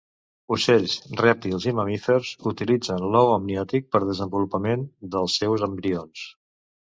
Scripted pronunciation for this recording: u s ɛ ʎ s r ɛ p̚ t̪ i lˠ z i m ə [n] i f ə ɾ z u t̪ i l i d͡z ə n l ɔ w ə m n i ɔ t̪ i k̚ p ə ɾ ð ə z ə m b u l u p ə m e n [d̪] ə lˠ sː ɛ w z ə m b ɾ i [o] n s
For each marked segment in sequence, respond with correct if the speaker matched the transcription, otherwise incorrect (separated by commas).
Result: incorrect, correct, correct